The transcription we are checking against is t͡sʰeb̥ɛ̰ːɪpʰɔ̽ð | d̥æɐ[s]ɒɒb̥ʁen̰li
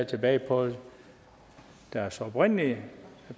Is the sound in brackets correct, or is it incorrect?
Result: correct